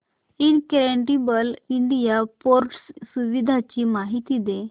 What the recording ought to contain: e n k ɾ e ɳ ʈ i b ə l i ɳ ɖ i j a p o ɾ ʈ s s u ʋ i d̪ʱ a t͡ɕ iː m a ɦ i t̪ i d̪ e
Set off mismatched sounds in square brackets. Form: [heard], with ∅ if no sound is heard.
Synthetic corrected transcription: [i] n k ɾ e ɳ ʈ i b ə l i ɳ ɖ i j a p o ɾ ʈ s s u ʋ i d̪ʱ a t͡ɕ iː m a ɦ i t̪ i d̪ e